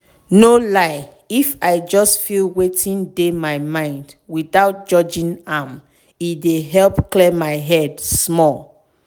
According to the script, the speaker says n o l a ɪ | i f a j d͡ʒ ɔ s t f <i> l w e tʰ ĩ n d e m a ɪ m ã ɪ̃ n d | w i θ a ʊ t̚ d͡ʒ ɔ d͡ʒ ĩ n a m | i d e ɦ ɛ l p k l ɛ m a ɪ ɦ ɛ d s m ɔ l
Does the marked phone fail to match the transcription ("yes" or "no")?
no